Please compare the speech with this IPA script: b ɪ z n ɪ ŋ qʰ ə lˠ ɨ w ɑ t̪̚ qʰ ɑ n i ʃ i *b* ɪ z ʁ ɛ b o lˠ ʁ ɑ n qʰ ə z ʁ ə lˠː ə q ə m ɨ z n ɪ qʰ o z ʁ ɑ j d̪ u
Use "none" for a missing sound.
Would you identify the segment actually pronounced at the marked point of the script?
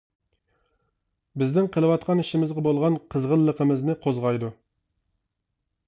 m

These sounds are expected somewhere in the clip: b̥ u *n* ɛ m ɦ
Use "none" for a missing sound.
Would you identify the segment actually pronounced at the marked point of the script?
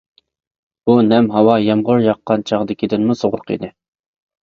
n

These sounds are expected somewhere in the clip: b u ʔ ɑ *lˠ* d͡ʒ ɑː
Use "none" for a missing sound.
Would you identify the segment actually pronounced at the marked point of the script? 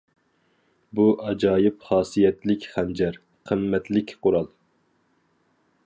none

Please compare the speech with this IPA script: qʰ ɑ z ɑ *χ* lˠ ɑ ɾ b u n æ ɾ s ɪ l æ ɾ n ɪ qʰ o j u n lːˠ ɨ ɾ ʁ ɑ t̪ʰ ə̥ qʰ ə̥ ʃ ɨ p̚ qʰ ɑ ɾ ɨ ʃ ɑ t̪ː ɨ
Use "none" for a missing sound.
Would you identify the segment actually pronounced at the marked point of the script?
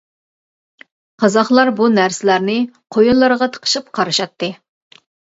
χ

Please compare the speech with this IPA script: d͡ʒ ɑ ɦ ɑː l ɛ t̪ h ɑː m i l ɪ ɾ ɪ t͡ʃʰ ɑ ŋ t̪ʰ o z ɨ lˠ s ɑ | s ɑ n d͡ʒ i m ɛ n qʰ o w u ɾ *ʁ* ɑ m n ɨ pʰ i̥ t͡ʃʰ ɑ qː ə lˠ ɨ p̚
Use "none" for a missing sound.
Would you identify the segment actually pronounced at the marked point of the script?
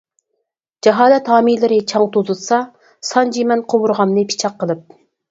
ʁ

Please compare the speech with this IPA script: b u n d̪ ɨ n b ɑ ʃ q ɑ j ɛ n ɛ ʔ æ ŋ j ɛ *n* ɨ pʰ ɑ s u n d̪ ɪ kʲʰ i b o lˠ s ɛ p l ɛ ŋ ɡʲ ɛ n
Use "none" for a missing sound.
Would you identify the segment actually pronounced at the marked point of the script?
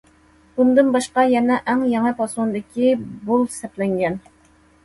ŋ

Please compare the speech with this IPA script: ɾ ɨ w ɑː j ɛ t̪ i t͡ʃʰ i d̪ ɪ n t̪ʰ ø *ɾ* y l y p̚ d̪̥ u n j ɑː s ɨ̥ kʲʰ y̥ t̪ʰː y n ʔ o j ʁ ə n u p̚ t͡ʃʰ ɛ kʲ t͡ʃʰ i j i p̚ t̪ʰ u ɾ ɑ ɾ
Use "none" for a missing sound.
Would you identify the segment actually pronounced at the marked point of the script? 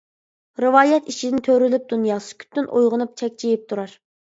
ɾ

